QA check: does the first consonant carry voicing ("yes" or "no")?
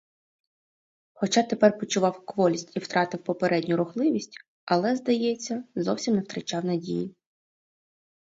no